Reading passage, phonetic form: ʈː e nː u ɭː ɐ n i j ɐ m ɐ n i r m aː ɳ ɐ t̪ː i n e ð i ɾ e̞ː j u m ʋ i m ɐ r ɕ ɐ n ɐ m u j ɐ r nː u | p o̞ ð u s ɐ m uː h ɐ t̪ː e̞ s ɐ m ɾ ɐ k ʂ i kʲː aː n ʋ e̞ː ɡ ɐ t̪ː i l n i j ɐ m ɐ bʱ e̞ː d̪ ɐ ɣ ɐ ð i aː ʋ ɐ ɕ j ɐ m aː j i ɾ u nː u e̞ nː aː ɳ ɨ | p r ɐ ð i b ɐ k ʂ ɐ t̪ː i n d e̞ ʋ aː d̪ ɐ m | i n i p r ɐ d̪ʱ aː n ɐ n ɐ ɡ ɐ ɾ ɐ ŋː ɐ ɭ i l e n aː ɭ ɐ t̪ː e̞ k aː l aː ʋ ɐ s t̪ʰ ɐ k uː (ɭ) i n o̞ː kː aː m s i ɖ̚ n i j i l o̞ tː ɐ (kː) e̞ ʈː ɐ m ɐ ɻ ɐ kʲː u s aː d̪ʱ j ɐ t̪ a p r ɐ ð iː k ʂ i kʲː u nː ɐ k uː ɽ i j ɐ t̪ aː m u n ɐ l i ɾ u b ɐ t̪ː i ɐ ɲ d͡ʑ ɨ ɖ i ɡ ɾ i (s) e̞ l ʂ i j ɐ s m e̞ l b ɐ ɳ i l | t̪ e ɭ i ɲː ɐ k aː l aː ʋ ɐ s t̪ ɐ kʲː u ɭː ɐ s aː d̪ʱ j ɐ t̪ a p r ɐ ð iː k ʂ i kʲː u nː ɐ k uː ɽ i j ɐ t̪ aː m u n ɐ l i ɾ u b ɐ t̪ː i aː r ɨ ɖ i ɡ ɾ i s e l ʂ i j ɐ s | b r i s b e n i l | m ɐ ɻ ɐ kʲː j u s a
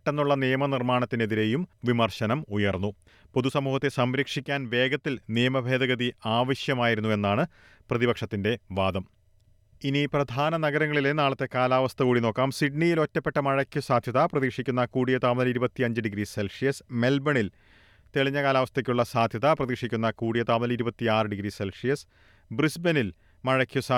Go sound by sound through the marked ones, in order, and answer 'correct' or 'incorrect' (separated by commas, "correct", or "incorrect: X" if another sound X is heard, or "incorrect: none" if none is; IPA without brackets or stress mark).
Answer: incorrect: ɽ, incorrect: pː, correct